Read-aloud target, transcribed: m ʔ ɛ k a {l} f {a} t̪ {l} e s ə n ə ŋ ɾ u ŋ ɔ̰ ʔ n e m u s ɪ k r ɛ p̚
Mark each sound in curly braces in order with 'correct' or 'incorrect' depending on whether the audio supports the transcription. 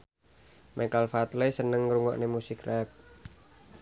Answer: correct, correct, correct

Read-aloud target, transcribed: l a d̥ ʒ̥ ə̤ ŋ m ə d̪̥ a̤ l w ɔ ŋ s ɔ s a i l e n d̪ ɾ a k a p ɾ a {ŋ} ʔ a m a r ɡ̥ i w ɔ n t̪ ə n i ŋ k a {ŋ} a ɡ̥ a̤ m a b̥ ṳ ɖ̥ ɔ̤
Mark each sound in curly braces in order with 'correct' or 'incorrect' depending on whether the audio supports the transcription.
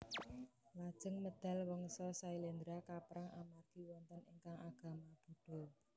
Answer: correct, correct

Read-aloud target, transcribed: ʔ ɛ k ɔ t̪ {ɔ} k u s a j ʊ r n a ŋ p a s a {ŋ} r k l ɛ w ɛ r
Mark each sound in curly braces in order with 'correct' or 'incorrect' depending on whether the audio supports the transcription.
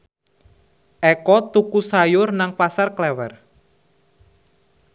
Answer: incorrect: u, incorrect: none

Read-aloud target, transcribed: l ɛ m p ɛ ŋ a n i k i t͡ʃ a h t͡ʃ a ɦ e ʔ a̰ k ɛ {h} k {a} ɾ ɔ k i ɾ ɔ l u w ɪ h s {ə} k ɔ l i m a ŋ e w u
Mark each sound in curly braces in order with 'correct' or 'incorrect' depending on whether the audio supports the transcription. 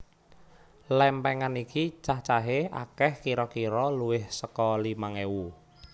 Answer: correct, incorrect: i, correct

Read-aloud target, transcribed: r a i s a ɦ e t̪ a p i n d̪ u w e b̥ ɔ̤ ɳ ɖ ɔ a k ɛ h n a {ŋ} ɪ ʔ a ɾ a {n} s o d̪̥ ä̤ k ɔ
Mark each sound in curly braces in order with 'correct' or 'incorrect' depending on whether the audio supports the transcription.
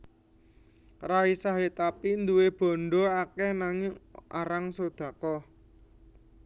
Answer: correct, incorrect: ŋ

